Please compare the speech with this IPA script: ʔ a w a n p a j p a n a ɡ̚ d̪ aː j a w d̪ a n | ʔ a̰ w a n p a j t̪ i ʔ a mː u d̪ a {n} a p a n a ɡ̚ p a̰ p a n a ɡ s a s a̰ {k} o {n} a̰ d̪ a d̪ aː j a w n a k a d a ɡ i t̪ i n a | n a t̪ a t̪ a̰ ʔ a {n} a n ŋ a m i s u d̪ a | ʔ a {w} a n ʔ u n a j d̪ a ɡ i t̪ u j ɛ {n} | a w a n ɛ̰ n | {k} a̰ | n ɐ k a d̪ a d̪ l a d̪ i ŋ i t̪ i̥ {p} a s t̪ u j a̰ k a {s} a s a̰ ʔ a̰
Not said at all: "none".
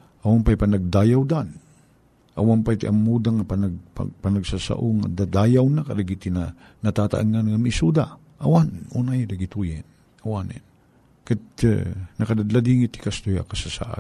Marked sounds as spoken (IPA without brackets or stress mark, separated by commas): ŋ, ʔ, ŋ, ŋ, w, n, k, k, s